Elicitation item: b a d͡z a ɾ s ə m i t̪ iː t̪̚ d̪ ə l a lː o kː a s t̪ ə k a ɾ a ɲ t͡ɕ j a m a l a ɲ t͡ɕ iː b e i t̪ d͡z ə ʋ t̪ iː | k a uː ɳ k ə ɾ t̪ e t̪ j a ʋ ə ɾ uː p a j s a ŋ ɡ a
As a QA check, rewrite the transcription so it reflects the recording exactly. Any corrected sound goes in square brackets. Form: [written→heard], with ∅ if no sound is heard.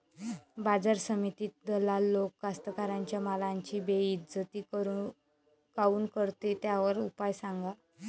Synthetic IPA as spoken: b a d͡z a ɾ s ə m i t̪ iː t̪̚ d̪ ə l a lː o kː a s t̪ ə k a ɾ a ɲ t͡ɕ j a m a l a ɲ t͡ɕ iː b e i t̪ d͡z ə [ʋ→∅] t̪ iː | k a uː [ɳ→n] k ə ɾ t̪ e t̪ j a ʋ ə ɾ [uː→u] p a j s a ŋ ɡ a